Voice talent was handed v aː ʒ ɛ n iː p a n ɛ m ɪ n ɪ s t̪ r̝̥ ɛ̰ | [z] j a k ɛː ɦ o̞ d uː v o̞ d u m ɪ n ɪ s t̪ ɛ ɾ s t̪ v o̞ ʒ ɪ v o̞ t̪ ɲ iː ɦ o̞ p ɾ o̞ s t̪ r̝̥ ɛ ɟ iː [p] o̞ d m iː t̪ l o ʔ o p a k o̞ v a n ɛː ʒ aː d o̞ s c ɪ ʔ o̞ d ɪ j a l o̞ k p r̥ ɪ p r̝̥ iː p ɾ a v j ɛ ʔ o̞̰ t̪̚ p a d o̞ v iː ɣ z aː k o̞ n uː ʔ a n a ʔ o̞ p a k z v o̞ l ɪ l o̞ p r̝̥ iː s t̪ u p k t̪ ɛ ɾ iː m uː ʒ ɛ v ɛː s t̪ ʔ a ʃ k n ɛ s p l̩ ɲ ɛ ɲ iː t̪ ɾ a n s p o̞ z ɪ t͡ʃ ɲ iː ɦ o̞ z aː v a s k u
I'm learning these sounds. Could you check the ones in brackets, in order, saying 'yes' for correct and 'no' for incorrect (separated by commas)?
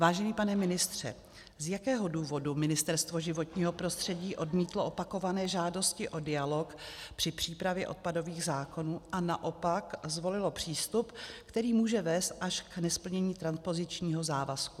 yes, no